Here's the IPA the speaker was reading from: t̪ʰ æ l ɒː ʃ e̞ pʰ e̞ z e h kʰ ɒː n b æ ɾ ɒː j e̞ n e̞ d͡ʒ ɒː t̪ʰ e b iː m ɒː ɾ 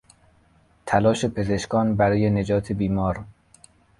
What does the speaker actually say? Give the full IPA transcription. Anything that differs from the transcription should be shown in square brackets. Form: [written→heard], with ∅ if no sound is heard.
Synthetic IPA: t̪ʰ æ l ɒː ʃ e̞ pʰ e̞ z e [h→ʃ] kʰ ɒː n b æ ɾ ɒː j e̞ n e̞ d͡ʒ ɒː t̪ʰ e b iː m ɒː ɾ